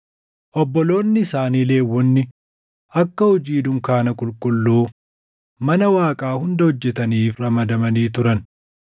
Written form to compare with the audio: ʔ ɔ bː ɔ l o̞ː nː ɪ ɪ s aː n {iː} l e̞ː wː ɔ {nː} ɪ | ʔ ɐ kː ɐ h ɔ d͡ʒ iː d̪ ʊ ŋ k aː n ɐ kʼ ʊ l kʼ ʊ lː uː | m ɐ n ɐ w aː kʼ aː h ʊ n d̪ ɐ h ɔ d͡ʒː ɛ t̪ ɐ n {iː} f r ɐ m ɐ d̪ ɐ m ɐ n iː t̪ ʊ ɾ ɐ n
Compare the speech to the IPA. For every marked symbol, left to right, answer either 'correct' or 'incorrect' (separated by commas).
correct, correct, correct